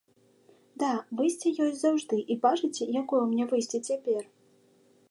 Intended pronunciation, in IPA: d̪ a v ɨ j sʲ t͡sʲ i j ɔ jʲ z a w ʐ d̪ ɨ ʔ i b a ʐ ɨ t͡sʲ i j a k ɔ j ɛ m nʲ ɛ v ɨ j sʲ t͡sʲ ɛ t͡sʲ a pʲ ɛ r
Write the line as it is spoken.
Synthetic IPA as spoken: d̪ a v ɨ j sʲ t͡sʲ ɛ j ɔ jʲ z a w ʐ d̪ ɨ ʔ i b a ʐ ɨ t͡sʲ ɛ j a k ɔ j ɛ m nʲ ɛ v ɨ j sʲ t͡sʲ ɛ t͡sʲ a pʲ ɛ r